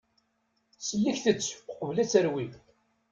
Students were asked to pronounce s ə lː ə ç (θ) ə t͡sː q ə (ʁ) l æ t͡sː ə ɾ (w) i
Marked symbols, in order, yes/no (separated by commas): yes, no, yes